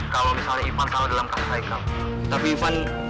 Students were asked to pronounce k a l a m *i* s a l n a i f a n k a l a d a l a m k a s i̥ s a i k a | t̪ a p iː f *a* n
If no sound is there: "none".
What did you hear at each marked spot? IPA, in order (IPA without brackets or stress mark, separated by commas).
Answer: i, a